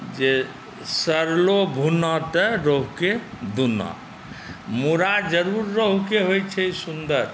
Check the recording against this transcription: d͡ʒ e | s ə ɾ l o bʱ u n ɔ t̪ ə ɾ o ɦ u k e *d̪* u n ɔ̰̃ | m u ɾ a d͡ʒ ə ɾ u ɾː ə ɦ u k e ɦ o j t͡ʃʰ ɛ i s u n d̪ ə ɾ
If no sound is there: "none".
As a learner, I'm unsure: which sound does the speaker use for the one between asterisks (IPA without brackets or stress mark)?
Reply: d̪